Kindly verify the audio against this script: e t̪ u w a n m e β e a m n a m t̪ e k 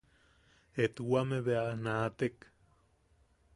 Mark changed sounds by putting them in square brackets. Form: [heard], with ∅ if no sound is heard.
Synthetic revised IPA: e t̪ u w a [∅] m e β e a [∅] n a [∅] t̪ e k